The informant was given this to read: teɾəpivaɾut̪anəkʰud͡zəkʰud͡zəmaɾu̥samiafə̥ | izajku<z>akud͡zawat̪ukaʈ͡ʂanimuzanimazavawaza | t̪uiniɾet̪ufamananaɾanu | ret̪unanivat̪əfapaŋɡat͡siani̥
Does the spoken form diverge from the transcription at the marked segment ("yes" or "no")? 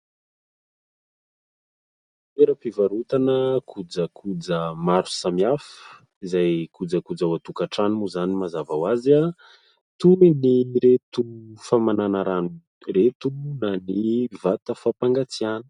yes